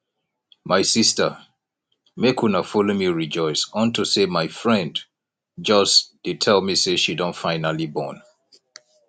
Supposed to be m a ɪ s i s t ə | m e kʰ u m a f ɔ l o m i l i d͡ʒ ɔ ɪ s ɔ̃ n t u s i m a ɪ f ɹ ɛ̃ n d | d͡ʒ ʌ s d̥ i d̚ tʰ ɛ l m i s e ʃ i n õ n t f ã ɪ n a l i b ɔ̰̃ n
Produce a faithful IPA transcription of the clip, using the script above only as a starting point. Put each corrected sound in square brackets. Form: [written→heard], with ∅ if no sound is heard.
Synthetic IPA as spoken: m a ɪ s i s t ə | m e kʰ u [m→n] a f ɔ l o m i [l→ɹ] i d͡ʒ ɔ ɪ s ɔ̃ n t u s [i→e] m a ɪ f ɹ ɛ̃ n d | d͡ʒ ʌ s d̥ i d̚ tʰ ɛ l m i s e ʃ i [n→d] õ n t f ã ɪ n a l i b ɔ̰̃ n